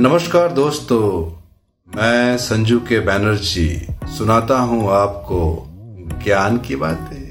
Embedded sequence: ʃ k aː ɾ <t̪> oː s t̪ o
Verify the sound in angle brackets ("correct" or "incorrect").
incorrect